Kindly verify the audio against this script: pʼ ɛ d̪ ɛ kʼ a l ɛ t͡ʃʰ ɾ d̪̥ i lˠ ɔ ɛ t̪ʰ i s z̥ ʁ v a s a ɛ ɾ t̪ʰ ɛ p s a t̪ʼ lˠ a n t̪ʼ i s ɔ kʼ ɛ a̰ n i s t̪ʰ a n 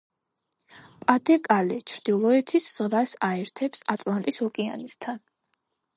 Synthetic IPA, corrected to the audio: pʼ a d̪ ɛ kʼ a l ɛ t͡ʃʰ ɾ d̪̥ i lˠ ɔ ɛ t̪ʰ i s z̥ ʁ v a s a ɛ ɾ t̪ʰ ɛ p s a t̪ʼ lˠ a n t̪ʼ i s ɔ kʼ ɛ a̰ n i s t̪ʰ a n